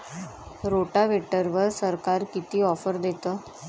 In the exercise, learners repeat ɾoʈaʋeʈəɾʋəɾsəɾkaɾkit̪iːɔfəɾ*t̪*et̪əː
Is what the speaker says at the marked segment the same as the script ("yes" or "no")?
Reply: no